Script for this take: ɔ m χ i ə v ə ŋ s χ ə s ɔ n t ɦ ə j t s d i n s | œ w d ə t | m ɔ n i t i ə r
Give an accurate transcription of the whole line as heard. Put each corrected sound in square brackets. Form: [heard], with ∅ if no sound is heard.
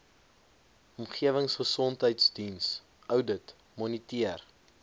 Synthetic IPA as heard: ɔ m χ i ə v ə ŋ s χ ə s ɔ n t ɦ ə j t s d i n s | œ w d ə t | m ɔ n i t i ə r

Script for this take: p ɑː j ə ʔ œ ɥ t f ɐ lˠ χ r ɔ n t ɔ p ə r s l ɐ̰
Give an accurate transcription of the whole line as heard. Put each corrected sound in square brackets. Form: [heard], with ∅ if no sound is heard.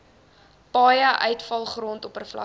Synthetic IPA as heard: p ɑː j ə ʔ œ ɥ t f ɐ lˠ χ r ɔ n t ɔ p ə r [f] l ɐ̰

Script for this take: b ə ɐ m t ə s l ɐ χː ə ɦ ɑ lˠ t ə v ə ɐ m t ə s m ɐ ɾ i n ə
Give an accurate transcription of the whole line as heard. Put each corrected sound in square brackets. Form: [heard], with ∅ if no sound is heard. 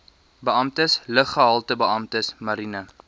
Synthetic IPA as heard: b ə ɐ m t ə s l [ə] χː ə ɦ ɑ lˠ t ə [b] ə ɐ m t ə s m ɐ ɾ i n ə

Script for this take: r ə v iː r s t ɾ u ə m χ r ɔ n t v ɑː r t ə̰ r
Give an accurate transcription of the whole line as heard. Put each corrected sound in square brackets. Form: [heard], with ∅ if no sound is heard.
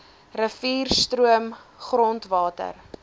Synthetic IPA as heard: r ə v iː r s t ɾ u ə m χ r ɔ n t v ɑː [∅] t ə̰ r

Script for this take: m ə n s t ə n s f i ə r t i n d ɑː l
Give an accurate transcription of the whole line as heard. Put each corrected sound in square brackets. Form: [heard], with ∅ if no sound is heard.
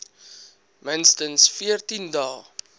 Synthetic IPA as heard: m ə n s t ə n s f i ə r t i n d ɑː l

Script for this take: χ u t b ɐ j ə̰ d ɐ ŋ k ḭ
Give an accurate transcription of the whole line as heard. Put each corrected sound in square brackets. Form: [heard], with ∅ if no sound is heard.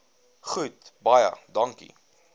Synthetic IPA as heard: χ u t b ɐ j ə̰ d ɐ ŋ k ḭ

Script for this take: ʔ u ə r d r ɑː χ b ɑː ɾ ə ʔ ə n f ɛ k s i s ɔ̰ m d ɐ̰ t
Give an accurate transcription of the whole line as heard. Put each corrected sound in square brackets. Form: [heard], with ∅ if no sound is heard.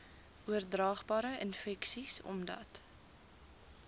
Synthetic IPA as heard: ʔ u ə r d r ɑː χ b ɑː ɾ ə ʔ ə n f ɛ k s i s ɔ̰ m d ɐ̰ t

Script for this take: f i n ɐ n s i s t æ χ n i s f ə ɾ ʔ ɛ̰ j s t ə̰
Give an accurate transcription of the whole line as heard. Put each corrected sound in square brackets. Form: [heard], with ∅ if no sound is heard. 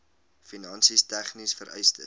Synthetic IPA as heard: f i n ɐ n s i s t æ χ n i s f ə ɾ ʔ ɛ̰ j s t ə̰

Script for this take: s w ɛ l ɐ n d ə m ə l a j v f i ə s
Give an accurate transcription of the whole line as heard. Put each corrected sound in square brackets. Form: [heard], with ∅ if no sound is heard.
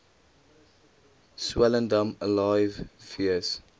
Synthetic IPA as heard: s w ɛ l [ə] n d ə m ə l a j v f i ə s

